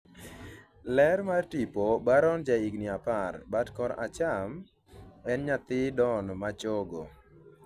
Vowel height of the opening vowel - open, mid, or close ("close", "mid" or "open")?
mid